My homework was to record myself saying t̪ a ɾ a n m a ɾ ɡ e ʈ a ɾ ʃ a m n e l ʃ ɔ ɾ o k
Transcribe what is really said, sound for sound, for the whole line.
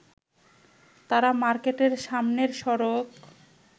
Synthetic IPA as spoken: t̪ a ɾ a m a ɾ k e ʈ e ɾ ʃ a m n e ɾ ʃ ɔ ɾ o k